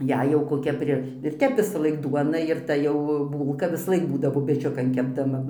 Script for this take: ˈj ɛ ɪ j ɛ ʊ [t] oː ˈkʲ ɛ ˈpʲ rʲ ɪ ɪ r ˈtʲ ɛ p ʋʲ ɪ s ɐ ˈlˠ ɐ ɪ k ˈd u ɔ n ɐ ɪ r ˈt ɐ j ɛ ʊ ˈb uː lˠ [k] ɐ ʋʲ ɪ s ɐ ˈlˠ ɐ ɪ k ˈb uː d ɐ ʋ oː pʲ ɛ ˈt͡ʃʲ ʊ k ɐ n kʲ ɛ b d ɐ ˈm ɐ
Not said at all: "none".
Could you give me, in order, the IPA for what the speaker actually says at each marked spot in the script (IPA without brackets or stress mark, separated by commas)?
k, k